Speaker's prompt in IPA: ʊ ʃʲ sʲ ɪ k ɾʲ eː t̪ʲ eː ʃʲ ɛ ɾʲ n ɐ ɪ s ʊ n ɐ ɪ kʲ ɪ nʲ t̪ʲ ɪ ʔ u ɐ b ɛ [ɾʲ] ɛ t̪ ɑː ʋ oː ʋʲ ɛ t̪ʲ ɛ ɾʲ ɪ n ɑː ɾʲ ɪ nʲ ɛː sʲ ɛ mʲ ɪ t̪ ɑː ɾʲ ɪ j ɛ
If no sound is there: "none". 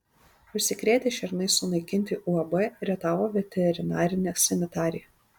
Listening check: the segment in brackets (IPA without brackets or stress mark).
ɾʲ